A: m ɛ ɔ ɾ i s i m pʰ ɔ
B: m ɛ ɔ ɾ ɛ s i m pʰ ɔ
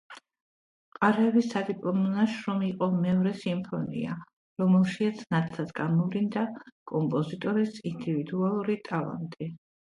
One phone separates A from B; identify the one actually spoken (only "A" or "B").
B